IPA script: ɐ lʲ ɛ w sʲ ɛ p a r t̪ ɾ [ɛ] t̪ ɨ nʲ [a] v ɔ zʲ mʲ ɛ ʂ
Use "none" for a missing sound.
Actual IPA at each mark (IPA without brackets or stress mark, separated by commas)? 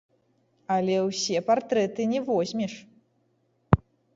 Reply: ɛ, ɛ